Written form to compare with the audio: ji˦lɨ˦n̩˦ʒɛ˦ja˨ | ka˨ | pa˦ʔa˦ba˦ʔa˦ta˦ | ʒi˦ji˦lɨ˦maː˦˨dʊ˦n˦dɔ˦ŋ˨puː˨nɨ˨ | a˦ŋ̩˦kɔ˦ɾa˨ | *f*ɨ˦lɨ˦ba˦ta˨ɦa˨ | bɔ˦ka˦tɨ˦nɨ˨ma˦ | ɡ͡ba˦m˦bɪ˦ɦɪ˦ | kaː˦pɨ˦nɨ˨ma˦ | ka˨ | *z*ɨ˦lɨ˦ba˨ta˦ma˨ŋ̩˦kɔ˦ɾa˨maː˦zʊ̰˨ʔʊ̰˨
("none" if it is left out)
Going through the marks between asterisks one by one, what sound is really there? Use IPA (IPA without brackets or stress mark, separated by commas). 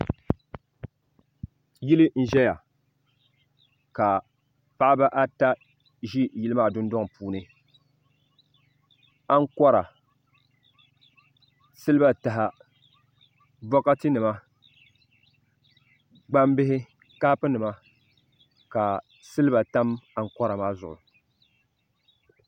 s, s